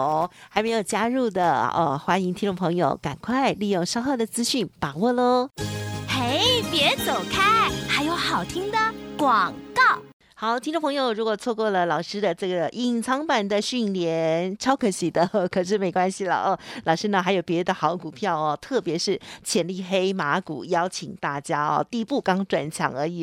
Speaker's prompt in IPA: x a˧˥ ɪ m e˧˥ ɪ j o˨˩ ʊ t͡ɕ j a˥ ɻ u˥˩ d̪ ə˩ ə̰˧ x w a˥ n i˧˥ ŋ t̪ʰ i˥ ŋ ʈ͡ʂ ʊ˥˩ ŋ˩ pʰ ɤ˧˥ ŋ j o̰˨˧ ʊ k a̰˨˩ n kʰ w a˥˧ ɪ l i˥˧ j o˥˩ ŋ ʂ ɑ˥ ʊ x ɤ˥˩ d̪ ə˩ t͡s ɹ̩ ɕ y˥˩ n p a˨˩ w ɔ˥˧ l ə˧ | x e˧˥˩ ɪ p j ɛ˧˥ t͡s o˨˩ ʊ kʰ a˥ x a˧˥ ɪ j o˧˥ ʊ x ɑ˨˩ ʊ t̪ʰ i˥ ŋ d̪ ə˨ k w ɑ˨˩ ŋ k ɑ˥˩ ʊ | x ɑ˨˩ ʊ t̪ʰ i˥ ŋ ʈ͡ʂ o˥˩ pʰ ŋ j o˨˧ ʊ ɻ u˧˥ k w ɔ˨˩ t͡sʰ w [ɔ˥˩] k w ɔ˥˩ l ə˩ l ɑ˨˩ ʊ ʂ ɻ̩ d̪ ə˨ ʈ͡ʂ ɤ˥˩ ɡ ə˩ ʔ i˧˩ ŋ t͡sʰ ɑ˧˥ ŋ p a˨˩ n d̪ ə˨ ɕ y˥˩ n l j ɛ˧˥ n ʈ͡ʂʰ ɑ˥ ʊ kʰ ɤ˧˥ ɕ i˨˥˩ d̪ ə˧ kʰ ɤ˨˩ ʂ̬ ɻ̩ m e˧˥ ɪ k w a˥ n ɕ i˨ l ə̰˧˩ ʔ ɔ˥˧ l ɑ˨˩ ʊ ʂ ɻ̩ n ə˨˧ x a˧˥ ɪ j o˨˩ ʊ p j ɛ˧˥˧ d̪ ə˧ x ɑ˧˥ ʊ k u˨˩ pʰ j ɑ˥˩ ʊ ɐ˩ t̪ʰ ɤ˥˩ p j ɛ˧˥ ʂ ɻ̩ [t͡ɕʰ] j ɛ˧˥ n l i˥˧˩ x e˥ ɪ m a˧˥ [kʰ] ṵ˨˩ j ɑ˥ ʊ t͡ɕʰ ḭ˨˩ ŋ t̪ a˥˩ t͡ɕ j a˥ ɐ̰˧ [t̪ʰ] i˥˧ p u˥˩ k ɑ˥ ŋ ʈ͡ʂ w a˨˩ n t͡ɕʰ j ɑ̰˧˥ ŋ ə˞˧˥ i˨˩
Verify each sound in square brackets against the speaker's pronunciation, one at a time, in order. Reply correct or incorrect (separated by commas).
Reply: incorrect, correct, incorrect, incorrect